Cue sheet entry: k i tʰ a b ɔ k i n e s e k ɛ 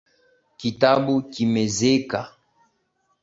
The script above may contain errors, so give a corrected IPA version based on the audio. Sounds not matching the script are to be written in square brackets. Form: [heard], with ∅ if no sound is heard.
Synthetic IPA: k i [t] a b [u] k i [m] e [z] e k [a]